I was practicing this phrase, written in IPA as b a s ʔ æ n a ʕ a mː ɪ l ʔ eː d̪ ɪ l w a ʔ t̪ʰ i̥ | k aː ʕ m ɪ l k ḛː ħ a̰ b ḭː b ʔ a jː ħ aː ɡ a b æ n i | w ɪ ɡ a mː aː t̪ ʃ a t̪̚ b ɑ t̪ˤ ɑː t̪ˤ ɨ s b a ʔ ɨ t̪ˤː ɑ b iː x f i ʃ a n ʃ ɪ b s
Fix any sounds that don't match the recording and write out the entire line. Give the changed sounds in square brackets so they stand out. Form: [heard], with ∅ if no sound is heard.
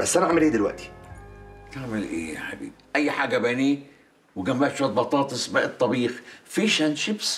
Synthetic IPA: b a s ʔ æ n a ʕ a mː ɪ l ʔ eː d̪ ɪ l w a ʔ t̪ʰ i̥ | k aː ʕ m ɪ l [ʔ] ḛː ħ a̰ b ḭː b ʔ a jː ħ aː ɡ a b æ n i | w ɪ ɡ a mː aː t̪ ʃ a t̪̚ b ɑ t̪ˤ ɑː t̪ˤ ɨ s b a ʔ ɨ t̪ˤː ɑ b iː x f i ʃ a n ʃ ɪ b s

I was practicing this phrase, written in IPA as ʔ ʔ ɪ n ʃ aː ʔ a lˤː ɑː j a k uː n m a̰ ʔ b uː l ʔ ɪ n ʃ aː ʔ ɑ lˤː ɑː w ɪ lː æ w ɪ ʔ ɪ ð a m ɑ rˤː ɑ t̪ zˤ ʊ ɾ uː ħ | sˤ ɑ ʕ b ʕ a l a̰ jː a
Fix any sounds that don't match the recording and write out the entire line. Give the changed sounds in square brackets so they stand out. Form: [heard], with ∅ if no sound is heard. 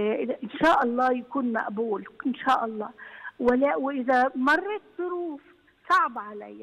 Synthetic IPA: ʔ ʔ ɪ n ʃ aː ʔ [ɑ] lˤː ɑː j a k uː n m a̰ ʔ b uː l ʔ ɪ n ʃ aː ʔ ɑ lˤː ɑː w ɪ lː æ w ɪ ʔ ɪ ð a m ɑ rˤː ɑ t̪ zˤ ʊ ɾ uː [f] | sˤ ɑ ʕ b ʕ a l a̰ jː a

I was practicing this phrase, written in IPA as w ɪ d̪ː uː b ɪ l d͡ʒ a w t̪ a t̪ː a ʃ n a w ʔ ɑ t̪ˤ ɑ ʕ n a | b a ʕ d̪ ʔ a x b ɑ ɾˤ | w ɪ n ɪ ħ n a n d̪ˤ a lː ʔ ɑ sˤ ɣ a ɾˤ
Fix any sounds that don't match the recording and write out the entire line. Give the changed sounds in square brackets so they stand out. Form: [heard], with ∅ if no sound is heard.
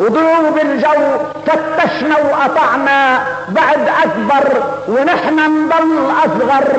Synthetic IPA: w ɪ [d̪] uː b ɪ l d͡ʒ a w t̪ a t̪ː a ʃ n a w ʔ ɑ t̪ˤ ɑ ʕ n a | b a ʕ d̪ ʔ a [k] b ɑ ɾˤ | w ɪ n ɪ ħ n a n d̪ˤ [ɑ] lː ʔ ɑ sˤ ɣ [ɑ] ɾˤ

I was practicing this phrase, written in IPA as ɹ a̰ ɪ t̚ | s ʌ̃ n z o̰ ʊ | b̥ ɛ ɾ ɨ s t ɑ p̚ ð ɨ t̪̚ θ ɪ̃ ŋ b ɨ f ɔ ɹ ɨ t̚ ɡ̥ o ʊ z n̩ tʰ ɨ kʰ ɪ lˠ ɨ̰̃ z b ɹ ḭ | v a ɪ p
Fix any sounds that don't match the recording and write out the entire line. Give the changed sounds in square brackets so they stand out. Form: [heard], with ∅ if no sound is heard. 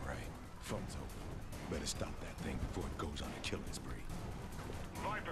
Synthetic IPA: ɹ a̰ ɪ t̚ | [f] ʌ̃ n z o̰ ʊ | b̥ ɛ ɾ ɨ s t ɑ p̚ ð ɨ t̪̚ θ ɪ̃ ŋ b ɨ f ɔ ɹ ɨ t̚ ɡ̥ o ʊ z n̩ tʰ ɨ kʰ ɪ lˠ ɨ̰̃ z b ɹ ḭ | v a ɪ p

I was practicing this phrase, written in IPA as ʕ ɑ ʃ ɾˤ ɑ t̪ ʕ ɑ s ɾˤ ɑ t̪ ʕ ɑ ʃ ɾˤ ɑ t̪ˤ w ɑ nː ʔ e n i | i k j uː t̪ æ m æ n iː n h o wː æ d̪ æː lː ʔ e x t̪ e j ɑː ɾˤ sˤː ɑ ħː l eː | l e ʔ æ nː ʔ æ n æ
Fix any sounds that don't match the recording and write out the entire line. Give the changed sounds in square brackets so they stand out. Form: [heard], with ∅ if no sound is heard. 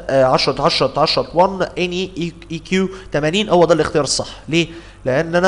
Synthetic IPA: ʕ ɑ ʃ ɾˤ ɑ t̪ ʕ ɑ [ʃ] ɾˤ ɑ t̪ ʕ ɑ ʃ ɾˤ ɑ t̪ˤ w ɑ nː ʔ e n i | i k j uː t̪ æ m æ n iː n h o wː æ d̪ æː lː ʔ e x t̪ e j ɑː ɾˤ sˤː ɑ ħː l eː | l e ʔ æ nː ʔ æ n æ

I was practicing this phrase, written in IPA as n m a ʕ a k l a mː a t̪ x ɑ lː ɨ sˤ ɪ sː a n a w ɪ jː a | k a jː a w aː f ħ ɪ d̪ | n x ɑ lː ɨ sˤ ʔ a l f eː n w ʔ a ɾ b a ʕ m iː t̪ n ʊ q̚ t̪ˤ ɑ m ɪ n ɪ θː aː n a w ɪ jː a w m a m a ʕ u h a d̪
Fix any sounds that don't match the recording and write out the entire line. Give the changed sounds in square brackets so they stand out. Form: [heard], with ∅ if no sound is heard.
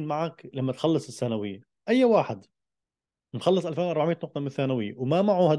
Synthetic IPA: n m a ʕ a k l a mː a t̪ x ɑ lː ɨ sˤ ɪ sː a n a w ɪ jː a | [ʔ] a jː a w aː [∅] ħ ɪ d̪ | n x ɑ lː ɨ sˤ ʔ a l f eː n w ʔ [ɑ] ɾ b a ʕ m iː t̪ n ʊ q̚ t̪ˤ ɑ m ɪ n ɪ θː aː n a w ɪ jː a w m a m a ʕ u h a d̪

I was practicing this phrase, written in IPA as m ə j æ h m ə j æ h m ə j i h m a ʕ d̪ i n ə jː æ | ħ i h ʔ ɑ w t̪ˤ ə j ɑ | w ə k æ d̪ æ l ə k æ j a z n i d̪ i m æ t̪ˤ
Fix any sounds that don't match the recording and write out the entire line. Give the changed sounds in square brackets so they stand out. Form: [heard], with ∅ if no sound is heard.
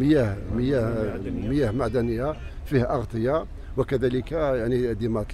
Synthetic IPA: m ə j æ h m ə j æ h m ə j [æ] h m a ʕ d̪ [æ] n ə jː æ | [f] i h ʔ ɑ [ɣ] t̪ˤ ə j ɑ | w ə k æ d̪ æ l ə k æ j a [ʕ] n i d̪ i m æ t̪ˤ

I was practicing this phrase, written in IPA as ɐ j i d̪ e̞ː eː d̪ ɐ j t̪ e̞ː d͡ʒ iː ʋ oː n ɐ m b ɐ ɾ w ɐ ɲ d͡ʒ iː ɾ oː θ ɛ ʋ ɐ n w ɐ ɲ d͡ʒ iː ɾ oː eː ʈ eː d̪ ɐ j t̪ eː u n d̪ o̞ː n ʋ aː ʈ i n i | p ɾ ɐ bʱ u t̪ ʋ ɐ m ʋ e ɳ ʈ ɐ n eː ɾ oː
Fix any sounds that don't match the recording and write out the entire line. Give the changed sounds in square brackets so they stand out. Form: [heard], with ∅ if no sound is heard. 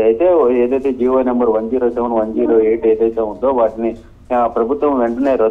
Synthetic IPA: ɐ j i [t̪] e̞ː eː d̪ ɐ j t̪ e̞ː d͡ʒ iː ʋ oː n ɐ m b ɐ ɾ [ʋ] ɐ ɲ d͡ʒ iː ɾ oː [s] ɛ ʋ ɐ n [ʋ] ɐ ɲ d͡ʒ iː ɾ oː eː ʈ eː d̪ ɐ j t̪ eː u n d̪ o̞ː [∅] ʋ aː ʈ i n i | p ɾ ɐ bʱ u t̪ ʋ ɐ m ʋ e ɳ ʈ ɐ n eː ɾ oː

